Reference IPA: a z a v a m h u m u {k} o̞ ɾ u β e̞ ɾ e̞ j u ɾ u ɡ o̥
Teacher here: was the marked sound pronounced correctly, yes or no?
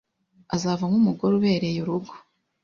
no